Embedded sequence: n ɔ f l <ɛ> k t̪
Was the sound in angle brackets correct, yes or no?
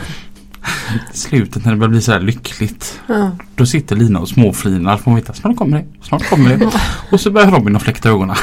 yes